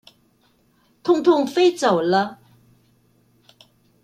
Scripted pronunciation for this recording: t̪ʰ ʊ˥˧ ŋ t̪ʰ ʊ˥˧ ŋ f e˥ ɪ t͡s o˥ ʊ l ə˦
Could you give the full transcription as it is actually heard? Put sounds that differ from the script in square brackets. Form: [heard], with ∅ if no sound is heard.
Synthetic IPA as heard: t̪ʰ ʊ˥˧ ŋ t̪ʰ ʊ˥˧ ŋ f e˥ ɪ t͡s [o˨˩] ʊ l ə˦